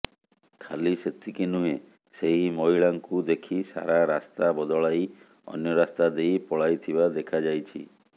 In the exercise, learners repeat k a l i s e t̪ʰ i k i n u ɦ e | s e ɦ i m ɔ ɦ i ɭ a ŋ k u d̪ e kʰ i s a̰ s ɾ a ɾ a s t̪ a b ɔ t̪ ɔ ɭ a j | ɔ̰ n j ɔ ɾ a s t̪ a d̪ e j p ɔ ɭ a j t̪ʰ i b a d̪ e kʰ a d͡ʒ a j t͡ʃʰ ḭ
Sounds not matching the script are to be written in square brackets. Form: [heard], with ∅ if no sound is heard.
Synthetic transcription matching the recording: [kʰ] a l i s e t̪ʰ i k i n u ɦ e | s e ɦ i m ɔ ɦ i ɭ a ŋ k u d̪ e kʰ i s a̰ [∅] ɾ a ɾ a s t̪ a b ɔ [d̪] ɔ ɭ a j | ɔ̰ n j ɔ ɾ a s t̪ a d̪ e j p ɔ ɭ a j t̪ʰ i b a d̪ e kʰ a d͡ʒ a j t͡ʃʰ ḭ